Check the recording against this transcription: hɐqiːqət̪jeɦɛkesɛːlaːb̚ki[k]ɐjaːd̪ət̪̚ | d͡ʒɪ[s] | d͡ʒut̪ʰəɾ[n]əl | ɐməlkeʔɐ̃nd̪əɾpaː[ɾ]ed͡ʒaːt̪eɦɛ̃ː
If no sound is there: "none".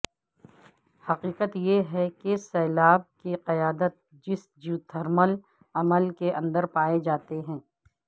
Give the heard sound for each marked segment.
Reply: q, s, m, none

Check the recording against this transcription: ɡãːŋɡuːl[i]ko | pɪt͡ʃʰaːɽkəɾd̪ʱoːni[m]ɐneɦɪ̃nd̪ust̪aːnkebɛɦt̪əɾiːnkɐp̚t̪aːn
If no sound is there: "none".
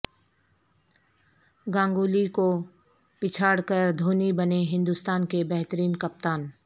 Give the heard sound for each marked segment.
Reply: i, b

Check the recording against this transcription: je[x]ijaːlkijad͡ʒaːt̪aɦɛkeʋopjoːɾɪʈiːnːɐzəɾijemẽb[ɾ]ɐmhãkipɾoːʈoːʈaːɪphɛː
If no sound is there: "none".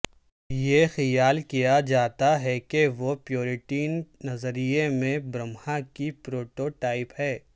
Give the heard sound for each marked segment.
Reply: x, ɾ

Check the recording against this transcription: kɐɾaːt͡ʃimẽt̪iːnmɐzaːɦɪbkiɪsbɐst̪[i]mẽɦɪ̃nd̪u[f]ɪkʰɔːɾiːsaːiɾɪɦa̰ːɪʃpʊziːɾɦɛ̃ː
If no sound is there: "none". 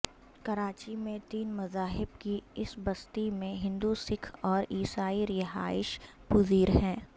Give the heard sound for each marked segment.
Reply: i, s

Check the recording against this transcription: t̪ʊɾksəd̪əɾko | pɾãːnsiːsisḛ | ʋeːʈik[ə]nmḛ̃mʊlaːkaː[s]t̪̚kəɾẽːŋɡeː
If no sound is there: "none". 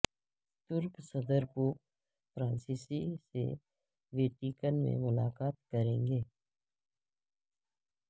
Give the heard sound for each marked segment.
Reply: ə, none

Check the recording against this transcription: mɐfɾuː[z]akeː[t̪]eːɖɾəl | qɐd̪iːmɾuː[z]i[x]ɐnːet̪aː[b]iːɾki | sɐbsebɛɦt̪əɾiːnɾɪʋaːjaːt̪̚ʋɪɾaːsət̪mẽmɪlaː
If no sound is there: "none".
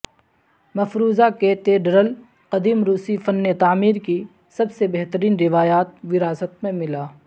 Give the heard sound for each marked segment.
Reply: z, t̪, s, f, m

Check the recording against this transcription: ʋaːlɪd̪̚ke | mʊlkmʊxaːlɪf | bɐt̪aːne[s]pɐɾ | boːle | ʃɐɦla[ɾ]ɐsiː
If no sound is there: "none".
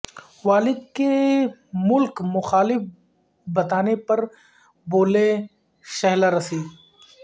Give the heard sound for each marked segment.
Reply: none, ɾ

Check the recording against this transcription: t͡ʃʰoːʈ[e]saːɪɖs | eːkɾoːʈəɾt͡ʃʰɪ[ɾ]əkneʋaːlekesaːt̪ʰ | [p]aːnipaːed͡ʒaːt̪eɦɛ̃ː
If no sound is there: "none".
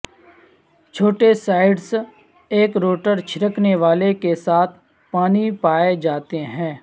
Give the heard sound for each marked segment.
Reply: e, ɾ, p

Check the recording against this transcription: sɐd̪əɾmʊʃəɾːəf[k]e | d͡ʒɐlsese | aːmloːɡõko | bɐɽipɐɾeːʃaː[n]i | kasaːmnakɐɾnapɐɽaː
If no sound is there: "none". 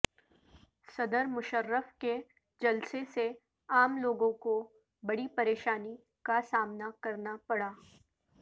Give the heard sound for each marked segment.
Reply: k, n

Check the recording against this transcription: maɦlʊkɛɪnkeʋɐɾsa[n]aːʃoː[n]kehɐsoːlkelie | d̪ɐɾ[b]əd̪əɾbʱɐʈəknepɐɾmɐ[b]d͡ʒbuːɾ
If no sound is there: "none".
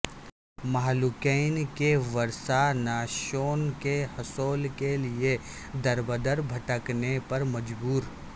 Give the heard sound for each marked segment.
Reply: n, n, b, none

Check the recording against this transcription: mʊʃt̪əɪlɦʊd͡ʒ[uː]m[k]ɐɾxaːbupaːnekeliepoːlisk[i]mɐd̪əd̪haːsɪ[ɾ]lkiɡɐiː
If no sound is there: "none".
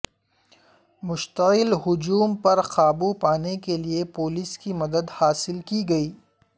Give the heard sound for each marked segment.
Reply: uː, p, i, none

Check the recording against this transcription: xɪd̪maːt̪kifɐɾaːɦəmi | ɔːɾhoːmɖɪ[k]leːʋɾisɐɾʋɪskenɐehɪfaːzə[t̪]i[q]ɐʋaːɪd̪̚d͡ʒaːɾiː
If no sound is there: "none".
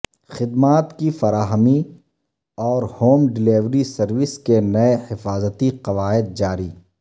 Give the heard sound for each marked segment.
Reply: none, t̪, q

